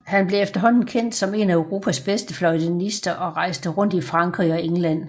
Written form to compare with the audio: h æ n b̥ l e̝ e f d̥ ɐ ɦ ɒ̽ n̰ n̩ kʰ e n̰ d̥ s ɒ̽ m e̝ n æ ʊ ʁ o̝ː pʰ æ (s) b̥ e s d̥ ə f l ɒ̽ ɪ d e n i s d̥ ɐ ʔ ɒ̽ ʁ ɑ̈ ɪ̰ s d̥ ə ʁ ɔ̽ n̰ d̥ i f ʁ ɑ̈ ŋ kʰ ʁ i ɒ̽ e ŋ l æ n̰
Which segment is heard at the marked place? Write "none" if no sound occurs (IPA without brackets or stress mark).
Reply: s